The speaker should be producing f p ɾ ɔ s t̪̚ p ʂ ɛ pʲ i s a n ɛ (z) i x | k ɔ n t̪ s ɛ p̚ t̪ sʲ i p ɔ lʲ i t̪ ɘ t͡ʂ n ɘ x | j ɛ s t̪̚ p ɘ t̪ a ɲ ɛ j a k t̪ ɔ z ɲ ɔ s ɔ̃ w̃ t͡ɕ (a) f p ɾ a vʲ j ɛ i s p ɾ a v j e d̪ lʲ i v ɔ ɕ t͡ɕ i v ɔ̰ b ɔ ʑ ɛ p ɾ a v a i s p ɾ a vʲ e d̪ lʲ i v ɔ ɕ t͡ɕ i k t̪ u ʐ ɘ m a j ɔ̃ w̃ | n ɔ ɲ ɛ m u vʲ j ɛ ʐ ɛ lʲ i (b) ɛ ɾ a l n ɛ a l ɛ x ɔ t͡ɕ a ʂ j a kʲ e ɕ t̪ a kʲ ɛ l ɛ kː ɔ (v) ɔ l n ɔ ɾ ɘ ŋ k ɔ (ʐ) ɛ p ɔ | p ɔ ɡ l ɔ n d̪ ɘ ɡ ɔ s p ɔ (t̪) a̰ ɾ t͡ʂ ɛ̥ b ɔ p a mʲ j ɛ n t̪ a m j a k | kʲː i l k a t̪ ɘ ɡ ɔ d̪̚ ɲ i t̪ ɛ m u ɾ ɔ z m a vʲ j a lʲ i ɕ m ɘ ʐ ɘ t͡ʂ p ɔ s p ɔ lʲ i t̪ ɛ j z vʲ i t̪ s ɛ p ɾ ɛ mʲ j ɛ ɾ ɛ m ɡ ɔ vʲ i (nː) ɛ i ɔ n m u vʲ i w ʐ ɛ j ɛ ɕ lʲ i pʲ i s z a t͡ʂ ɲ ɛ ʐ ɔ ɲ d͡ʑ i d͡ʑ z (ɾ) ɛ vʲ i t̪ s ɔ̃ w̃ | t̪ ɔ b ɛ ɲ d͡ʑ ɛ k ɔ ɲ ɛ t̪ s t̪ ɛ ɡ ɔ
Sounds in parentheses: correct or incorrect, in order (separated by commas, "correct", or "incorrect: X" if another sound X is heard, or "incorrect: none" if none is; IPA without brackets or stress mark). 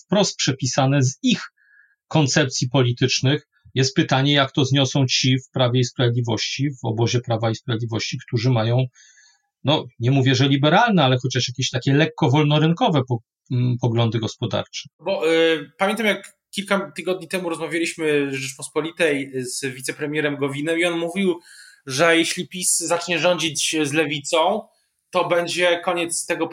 correct, incorrect: i, correct, correct, incorrect: v, incorrect: d̪, incorrect: n, incorrect: l